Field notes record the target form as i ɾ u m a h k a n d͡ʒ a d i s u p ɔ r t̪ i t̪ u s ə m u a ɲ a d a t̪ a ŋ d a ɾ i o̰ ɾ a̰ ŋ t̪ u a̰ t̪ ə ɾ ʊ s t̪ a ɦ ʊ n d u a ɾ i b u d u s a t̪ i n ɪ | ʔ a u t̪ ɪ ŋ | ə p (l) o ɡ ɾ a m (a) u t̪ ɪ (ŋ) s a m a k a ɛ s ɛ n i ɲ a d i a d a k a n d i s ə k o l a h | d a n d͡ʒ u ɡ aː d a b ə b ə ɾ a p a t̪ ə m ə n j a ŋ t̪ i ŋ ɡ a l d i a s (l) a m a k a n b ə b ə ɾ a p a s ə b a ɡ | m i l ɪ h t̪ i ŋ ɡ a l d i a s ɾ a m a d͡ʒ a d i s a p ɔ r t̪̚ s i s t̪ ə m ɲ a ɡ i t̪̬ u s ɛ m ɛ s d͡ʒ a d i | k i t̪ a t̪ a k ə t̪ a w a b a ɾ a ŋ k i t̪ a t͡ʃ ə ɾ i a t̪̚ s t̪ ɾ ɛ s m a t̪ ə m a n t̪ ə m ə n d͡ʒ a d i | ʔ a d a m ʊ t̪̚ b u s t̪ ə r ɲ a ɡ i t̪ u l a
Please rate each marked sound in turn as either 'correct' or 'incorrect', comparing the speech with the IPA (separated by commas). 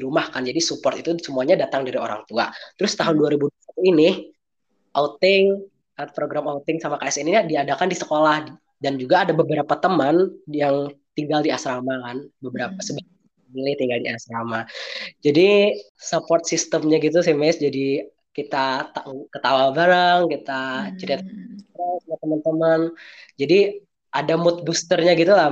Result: incorrect, correct, correct, incorrect